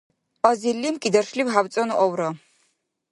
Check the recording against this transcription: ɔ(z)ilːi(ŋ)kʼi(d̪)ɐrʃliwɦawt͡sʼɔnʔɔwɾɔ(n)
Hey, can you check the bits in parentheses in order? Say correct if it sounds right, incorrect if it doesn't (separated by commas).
correct, incorrect, correct, incorrect